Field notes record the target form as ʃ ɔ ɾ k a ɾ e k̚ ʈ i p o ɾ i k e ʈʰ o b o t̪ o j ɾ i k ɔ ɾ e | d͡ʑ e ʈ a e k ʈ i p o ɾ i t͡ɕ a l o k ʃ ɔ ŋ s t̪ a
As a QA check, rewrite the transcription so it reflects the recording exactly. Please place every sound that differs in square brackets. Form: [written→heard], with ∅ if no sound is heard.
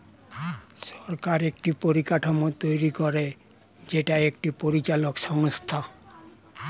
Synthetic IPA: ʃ ɔ ɾ k a ɾ e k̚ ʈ i p o ɾ i k [e→a] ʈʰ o [b→m] o t̪ o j ɾ i k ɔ ɾ e | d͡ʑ e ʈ a e k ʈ i p o ɾ i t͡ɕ a l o k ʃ ɔ ŋ s [t̪→t̪ʰ] a

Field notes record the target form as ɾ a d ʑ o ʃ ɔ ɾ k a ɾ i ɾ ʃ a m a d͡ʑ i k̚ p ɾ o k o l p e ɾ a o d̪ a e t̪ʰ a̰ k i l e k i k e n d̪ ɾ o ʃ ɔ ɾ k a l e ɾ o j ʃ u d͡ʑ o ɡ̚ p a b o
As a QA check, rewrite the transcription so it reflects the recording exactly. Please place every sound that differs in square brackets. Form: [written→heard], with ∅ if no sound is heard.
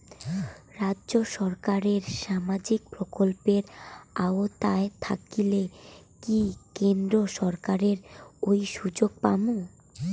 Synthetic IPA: ɾ a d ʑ o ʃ ɔ ɾ k a ɾ [i→e] ɾ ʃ a m a d͡ʑ i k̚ p ɾ o k o l p e ɾ a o [d̪→t̪] a e t̪ʰ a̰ k i l e k i k e n d̪ ɾ o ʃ ɔ ɾ k a [l→ɾ] e ɾ o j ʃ u d͡ʑ o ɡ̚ p a [b→m] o

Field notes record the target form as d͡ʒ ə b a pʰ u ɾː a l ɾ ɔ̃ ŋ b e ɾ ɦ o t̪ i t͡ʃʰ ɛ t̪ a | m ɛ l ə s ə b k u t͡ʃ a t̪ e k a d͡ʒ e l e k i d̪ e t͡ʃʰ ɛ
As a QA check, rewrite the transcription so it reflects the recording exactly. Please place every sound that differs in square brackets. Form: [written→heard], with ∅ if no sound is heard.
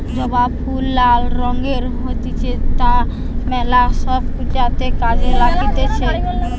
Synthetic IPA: d͡ʒ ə b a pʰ u [ɾː→lː] a l ɾ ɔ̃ ŋ [b→ɡ] e ɾ ɦ o t̪ i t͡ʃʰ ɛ t̪ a | m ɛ l [ə→a] s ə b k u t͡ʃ a t̪ e k a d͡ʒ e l [e→a] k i [d̪→t̪] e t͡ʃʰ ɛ

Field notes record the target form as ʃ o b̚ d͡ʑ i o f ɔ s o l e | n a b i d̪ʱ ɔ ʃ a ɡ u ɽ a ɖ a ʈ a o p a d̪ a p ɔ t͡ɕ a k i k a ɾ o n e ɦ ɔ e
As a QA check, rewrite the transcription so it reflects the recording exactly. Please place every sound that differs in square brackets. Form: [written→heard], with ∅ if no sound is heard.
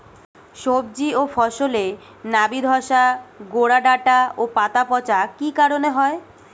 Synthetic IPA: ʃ o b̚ d͡ʑ i o f ɔ [s→ʃ] o l e | n a b i d̪ʱ ɔ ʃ a ɡ [u→o] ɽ a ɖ a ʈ a o p a [d̪→t̪] a p ɔ t͡ɕ a k i k a ɾ o n e ɦ ɔ e

